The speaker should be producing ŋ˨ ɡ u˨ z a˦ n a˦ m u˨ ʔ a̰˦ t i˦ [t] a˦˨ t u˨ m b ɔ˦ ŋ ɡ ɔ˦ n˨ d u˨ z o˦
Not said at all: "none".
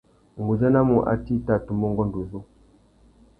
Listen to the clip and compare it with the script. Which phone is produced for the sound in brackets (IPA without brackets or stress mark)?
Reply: t